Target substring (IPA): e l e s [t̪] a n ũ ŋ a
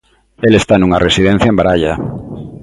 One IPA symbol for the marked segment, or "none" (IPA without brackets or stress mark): t̪